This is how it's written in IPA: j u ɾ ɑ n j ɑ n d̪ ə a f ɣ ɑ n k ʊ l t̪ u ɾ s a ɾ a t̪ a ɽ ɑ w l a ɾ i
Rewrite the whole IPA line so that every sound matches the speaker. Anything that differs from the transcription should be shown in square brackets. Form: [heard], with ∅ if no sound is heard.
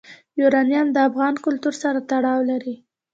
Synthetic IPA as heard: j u ɾ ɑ n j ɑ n d̪ ə a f ɣ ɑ n k ʊ l t̪ u ɾ s a ɾ a t̪ a ɽ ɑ w l a ɾ i